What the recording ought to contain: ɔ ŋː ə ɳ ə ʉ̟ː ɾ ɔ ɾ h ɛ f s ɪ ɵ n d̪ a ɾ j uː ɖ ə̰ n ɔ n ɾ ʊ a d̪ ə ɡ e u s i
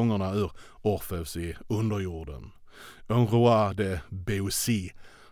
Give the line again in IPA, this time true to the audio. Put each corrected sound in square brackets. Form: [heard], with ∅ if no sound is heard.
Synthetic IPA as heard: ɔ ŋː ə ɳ [a] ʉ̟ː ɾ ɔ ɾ [f] ɛ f s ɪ ɵ n d̪ [ə] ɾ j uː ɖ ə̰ n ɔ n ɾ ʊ a d̪ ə [b] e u s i